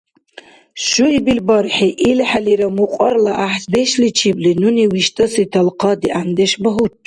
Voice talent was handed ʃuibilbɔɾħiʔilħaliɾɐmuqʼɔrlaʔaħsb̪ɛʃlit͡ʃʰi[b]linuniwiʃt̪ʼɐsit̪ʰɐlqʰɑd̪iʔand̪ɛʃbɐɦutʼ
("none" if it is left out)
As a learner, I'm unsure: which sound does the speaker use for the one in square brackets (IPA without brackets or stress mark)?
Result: b